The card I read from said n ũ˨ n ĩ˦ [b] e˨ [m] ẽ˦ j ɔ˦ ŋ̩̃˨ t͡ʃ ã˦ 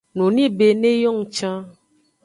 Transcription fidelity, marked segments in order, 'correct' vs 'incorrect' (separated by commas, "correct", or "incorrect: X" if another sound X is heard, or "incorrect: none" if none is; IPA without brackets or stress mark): correct, incorrect: n